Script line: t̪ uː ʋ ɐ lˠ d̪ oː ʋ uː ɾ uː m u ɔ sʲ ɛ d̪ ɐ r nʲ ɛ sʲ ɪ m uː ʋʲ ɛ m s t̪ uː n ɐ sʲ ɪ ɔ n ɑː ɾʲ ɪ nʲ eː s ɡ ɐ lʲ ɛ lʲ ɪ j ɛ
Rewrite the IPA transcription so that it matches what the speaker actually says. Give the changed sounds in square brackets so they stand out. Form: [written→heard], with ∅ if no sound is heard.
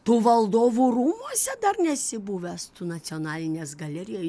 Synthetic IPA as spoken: t̪ uː ʋ ɐ lˠ d̪ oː ʋ uː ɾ uː m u ɔ sʲ ɛ d̪ ɐ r nʲ ɛ sʲ ɪ [m→b] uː ʋʲ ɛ [m→∅] s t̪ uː n ɐ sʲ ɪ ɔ n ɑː [ɾʲ→lʲ] ɪ nʲ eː s ɡ ɐ lʲ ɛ [lʲ→ɾʲ] ɪ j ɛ